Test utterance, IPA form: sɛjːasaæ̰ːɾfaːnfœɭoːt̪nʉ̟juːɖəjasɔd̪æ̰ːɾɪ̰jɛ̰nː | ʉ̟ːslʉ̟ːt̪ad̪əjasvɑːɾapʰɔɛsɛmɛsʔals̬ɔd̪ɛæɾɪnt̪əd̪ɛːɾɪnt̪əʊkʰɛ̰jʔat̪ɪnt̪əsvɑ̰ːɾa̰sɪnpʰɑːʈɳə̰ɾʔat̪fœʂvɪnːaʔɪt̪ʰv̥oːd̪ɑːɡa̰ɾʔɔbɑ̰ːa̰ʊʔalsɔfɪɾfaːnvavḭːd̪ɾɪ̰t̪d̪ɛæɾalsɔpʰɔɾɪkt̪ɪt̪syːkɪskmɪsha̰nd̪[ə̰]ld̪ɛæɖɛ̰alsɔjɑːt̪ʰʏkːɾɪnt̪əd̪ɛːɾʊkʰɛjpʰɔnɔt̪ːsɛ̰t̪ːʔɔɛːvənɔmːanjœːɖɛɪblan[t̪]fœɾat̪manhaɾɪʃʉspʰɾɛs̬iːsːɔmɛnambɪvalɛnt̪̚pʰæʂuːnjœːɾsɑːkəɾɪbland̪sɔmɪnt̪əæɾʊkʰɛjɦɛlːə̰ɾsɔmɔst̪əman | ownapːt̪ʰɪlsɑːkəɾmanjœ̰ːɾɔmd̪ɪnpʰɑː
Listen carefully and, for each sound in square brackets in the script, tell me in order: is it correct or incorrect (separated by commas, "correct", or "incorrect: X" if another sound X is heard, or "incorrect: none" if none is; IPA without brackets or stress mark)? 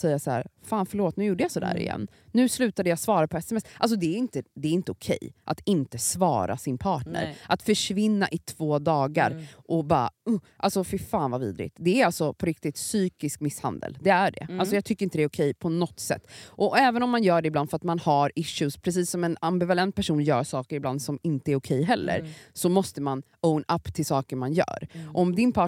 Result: correct, incorrect: d̪